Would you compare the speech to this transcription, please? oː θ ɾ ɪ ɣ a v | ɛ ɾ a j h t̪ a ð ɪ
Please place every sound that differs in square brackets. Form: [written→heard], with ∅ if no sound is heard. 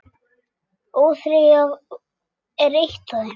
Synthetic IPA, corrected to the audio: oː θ ɾ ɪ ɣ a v | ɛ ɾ [a→e] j h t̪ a ð ɪ